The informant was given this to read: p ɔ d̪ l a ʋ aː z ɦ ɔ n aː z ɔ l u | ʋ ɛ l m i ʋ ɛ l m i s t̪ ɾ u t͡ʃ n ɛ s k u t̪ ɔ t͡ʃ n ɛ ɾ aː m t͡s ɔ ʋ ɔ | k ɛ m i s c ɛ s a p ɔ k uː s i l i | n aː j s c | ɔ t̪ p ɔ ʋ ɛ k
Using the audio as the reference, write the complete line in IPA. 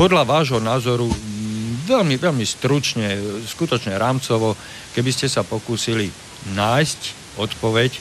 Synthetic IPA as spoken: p ɔ d̪ l a ʋ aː ʒ ɦ ɔ n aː z ɔ ɾ u | ʋ ɛ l m i ʋ ɛ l m i s t̪ ɾ u t͡ʃ ɲ ɛ s k u t̪ ɔ t͡ʃ ɲ ɛ ɾ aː m t͡s ɔ ʋ ɔ | k ɛ b i s c ɛ s a p ɔ k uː s i l i | n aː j s c | ɔ t̪ p ɔ ʋ ɛ c